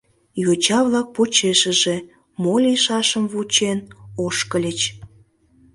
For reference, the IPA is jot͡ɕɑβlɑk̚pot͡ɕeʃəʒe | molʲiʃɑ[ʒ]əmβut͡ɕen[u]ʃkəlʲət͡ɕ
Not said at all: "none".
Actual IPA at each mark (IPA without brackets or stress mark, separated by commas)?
ʃ, o